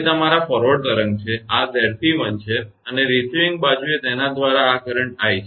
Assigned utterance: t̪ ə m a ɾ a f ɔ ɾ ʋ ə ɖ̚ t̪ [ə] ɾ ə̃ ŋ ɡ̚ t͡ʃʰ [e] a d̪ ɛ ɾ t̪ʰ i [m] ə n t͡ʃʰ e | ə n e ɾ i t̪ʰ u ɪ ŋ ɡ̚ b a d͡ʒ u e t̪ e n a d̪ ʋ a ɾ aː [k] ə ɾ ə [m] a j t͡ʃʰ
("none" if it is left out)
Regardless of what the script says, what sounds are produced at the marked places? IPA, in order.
ə, e, m, k, ɳ

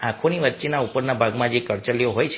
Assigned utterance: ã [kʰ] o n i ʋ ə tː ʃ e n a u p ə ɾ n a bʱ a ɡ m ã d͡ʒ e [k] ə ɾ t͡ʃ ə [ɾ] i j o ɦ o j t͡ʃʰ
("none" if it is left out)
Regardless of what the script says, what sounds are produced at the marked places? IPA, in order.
kʰ, k, l

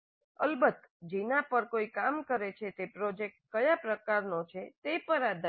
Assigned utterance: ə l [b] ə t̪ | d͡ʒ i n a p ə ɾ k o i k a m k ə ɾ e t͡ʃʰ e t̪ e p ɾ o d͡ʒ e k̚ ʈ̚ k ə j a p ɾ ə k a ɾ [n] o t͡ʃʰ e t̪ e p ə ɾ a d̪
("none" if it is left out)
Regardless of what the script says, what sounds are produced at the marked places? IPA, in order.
b, n

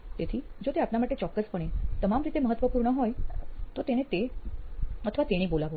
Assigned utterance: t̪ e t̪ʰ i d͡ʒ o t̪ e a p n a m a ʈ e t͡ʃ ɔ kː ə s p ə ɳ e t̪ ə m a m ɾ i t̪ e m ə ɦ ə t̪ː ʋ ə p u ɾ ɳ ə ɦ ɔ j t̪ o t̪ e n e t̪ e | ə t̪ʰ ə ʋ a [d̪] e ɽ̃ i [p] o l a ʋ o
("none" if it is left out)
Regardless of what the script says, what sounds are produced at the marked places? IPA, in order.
t̪, b

